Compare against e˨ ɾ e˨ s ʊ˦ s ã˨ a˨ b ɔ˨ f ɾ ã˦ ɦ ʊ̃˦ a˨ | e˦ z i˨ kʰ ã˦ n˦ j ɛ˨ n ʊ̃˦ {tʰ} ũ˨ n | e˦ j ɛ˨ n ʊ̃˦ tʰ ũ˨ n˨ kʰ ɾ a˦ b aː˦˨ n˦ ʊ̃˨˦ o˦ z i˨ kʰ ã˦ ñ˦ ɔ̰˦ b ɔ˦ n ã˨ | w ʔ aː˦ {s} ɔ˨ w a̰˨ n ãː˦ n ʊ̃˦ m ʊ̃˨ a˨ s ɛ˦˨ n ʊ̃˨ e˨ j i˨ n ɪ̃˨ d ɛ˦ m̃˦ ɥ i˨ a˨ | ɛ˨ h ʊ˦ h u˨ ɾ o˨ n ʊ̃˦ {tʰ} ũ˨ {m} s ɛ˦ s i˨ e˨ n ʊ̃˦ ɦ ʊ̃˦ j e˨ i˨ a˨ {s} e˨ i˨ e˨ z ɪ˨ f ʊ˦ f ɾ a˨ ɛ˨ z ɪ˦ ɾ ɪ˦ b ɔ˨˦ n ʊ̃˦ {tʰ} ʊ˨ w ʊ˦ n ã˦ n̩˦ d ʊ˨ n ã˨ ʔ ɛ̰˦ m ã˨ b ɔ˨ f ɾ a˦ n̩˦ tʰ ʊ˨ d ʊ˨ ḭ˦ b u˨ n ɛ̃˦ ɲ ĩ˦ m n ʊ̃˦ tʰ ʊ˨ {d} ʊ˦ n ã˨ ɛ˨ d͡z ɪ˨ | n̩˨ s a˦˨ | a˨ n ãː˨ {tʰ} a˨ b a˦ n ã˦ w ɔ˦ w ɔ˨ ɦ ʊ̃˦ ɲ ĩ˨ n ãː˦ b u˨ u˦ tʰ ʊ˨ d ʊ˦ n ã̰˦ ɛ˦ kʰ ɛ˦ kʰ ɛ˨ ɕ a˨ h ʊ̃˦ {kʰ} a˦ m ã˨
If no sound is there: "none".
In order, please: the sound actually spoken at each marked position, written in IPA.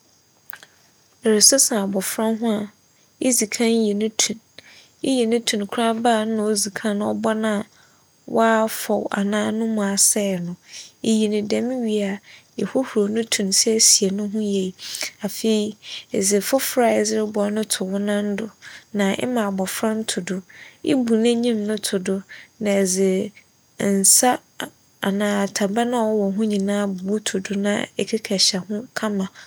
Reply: tʰ, f, tʰ, n, f, tʰ, d, tʰ, kʰ

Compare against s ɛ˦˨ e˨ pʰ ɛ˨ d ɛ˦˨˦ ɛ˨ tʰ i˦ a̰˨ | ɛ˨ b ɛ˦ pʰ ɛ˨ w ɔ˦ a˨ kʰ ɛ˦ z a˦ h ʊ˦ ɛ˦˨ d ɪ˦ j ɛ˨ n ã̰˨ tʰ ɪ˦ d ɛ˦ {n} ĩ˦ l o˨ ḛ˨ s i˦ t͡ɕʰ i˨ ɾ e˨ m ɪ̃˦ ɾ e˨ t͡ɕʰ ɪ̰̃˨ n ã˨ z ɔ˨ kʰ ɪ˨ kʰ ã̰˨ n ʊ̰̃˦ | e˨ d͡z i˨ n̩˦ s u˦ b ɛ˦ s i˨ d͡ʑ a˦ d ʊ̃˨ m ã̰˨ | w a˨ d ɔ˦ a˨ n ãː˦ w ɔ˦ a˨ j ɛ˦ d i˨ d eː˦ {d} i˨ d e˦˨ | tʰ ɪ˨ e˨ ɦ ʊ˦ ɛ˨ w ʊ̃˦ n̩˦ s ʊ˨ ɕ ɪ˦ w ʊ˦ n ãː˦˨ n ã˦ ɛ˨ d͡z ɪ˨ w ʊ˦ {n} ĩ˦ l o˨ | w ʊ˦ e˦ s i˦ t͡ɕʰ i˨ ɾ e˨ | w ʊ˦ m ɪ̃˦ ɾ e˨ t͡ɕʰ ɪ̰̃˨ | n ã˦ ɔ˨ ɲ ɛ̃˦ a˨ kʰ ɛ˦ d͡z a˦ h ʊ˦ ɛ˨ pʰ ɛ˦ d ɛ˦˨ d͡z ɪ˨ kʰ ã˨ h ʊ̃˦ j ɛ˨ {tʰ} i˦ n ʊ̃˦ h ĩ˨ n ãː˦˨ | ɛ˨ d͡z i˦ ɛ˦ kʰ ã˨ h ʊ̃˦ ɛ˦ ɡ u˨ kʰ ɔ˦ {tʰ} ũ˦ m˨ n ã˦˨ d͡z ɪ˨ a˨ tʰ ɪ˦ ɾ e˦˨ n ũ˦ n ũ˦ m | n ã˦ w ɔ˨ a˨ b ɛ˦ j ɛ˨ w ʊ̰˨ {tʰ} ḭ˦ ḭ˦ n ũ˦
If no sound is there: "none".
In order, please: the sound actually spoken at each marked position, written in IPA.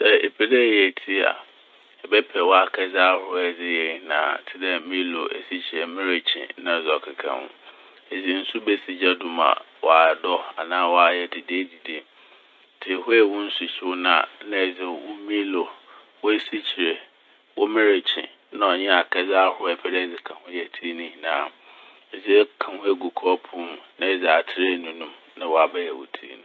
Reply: m, d, m, tʰ, pʰ, tʰ

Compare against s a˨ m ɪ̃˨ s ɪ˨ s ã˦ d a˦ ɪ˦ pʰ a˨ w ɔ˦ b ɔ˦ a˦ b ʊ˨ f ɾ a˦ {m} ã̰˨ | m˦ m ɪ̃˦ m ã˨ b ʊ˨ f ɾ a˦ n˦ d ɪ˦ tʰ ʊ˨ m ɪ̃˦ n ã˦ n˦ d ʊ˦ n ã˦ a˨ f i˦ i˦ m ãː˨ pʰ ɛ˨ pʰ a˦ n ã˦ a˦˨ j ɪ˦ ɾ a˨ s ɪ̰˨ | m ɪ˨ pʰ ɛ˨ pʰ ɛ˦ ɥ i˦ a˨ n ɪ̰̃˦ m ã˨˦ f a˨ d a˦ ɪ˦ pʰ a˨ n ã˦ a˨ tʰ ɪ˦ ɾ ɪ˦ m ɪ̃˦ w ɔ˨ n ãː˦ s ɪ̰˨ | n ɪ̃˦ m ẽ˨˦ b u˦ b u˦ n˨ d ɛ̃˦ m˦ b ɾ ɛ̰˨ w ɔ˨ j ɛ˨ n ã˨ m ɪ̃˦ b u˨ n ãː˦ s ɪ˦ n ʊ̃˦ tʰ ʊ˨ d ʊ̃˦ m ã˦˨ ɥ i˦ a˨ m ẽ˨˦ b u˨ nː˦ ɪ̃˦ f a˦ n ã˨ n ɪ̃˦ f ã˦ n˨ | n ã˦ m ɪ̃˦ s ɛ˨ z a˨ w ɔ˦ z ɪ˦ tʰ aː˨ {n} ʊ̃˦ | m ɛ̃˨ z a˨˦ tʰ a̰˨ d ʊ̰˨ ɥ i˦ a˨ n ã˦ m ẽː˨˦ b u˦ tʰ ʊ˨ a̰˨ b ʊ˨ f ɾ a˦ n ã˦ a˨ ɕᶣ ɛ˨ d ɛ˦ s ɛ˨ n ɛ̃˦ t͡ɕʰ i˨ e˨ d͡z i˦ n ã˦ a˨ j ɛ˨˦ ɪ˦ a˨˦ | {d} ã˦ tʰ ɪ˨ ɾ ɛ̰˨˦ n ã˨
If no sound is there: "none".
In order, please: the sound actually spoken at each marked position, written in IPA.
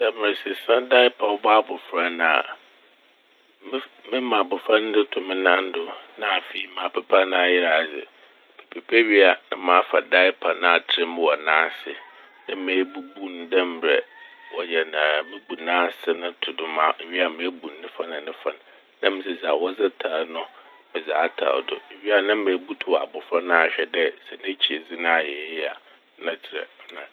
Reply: n, n, n

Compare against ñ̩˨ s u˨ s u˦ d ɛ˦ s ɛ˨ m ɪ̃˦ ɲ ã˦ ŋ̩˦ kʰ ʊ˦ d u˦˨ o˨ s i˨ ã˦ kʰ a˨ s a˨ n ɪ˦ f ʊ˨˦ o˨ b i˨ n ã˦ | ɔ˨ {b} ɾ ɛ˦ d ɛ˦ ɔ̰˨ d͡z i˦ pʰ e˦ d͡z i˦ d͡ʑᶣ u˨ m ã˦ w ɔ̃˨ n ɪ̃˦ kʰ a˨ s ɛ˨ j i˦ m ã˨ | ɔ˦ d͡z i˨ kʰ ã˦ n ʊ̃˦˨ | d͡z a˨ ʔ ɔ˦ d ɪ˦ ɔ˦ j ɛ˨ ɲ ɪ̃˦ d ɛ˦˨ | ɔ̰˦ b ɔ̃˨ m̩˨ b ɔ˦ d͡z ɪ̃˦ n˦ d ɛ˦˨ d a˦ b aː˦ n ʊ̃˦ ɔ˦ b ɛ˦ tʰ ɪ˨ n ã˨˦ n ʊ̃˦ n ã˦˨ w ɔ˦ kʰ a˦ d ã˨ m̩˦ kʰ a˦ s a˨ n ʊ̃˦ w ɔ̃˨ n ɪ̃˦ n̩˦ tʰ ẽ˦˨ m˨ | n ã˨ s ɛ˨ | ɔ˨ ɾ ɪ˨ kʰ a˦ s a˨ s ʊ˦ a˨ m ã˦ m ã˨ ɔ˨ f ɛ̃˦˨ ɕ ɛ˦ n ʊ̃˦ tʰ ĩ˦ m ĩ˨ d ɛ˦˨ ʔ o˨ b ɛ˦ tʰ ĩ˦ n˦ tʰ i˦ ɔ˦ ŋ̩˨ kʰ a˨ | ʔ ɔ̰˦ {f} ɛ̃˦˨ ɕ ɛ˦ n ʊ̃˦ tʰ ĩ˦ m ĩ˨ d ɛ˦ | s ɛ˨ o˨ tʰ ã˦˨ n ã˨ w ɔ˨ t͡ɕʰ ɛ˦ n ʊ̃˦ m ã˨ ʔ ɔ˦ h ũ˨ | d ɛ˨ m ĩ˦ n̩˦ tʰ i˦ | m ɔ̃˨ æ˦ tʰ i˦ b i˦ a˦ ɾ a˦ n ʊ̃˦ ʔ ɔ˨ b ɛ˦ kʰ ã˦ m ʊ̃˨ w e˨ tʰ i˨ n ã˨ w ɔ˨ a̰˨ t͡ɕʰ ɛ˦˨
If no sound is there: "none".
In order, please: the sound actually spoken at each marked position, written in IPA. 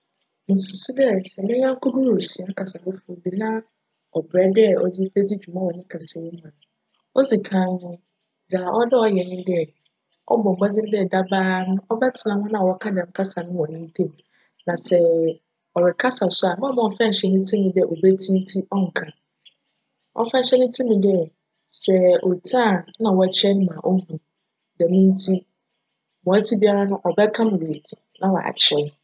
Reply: b, f

